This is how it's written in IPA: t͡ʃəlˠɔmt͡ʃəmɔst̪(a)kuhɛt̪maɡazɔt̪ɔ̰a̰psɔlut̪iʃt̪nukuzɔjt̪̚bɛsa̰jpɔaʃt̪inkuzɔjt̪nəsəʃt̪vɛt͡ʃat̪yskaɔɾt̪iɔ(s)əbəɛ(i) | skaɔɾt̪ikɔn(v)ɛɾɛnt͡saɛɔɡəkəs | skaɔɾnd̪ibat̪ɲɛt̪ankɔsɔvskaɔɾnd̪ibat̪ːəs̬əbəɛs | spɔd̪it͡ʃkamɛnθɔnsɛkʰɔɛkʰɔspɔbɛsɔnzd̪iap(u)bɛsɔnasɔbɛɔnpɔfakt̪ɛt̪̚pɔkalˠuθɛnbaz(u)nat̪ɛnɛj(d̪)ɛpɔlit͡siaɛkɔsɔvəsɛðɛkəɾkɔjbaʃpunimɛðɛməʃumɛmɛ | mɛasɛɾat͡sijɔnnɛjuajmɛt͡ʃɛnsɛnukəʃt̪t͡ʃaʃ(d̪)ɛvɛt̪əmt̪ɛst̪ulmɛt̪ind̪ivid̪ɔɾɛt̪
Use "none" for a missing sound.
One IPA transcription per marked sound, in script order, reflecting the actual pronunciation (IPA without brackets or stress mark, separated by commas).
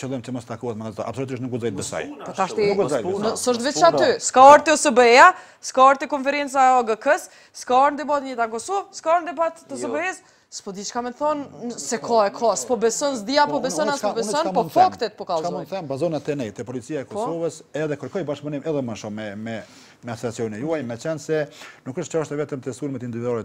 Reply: a, s, a, f, ɔ, ɔ, t̪, t̪